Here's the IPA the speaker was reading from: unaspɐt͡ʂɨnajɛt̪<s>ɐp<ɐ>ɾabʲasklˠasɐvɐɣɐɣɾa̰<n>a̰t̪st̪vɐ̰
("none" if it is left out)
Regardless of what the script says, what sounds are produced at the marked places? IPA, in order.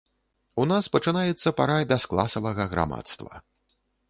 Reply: sː, a, m

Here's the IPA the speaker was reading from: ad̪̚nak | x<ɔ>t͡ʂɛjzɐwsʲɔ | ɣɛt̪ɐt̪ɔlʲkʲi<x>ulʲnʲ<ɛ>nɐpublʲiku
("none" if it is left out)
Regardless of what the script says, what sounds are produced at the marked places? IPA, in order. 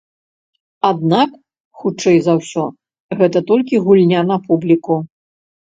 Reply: u, ɣ, a

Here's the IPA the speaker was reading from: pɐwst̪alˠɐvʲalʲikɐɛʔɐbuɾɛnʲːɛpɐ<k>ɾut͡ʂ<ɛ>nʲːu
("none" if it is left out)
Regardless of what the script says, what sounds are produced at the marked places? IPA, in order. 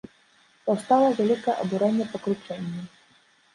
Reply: k, ɛ

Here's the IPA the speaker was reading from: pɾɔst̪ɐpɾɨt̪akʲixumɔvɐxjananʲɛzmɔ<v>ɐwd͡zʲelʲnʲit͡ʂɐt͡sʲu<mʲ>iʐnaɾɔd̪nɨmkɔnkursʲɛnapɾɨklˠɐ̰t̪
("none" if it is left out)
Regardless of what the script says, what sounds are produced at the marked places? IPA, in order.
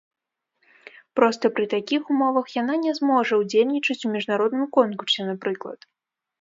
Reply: ʐ, mʲ

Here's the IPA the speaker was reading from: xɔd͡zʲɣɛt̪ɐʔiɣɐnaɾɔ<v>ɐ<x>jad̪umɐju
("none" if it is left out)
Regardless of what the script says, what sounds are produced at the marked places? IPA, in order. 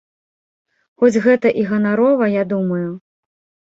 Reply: v, none

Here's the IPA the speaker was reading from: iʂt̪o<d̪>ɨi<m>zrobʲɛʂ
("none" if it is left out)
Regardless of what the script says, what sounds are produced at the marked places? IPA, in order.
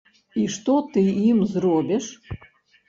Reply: t̪, m

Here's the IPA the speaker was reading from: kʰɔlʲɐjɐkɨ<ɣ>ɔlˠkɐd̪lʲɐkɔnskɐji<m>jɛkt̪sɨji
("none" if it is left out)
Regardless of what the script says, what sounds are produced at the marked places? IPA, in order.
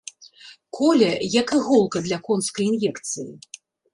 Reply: ɣ, n

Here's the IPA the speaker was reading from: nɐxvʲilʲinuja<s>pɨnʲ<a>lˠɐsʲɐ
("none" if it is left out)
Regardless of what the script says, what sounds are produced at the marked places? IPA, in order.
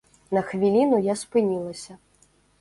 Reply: s, i

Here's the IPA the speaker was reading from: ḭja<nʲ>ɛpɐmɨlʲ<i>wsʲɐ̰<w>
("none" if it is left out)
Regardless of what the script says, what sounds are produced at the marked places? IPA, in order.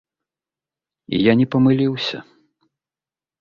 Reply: nʲ, i, none

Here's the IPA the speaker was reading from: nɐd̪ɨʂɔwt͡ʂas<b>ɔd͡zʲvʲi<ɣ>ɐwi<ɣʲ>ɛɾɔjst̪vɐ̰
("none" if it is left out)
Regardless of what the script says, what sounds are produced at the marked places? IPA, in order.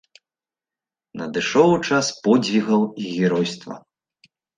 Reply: p, ɣ, ɣʲ

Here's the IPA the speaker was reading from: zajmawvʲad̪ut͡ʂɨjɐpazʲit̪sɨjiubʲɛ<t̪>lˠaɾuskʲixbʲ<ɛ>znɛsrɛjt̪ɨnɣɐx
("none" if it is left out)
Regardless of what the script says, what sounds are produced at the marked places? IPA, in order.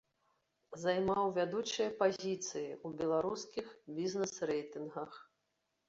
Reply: none, i

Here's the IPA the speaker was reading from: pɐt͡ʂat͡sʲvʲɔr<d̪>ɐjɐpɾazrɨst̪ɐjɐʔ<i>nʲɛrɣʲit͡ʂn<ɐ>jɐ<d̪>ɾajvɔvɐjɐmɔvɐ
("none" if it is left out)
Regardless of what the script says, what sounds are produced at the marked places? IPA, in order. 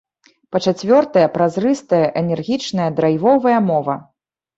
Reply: t̪, ɛ, ɐ, d̪

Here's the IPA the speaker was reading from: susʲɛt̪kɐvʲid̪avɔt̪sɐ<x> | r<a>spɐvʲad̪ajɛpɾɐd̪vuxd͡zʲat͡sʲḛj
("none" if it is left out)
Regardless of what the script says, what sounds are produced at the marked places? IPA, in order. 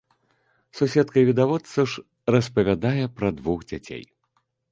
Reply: ʂ, ɐ

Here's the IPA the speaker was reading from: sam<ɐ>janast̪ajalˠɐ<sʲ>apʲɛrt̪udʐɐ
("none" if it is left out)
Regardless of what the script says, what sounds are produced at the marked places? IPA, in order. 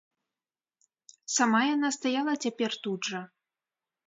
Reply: a, t͡sʲ

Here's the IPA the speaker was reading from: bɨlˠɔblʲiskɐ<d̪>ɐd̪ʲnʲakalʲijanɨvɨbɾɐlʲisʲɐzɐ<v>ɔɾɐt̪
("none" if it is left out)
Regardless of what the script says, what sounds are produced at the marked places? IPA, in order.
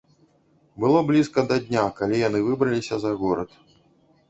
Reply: d̪, ɣ

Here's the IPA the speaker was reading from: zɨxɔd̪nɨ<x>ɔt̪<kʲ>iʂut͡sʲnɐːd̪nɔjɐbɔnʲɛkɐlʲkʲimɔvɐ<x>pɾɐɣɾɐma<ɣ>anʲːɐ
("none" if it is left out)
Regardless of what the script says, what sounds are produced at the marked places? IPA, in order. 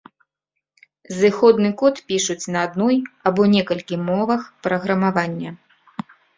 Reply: k, pʲ, x, v

